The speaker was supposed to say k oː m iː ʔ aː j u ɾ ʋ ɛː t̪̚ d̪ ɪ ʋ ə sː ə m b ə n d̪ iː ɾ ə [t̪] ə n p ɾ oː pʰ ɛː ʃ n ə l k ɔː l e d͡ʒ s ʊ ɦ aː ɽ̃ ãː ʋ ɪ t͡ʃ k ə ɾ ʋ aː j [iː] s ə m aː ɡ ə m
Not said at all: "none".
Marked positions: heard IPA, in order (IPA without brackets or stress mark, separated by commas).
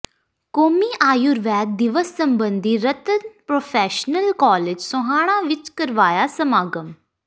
t̪, aː